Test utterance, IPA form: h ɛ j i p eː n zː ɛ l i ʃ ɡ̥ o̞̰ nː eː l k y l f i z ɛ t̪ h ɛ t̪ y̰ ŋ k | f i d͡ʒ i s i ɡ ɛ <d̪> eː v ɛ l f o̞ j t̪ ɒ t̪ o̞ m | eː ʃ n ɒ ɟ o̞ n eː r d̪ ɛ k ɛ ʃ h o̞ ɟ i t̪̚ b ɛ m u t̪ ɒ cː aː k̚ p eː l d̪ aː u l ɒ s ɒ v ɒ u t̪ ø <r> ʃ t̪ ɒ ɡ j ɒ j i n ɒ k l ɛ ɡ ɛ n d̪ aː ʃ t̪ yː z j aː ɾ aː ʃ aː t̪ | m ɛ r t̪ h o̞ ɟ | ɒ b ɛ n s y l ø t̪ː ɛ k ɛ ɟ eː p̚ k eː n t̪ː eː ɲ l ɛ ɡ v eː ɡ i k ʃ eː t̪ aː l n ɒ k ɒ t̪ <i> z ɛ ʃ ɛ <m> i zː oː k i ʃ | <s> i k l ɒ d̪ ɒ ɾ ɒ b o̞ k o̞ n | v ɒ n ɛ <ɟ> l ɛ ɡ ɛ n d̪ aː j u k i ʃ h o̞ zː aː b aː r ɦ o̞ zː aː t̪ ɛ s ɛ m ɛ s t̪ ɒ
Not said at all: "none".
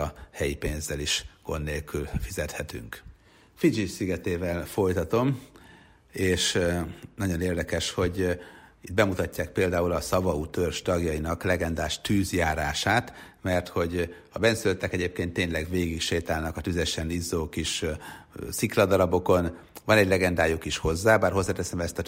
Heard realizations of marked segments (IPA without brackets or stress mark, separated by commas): t̪, r, y, n, s, ɟ